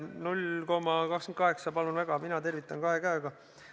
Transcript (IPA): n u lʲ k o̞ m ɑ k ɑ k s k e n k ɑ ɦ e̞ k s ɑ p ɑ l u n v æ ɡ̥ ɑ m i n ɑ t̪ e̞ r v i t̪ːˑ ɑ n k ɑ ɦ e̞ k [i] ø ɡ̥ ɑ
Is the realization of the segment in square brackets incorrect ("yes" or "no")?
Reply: yes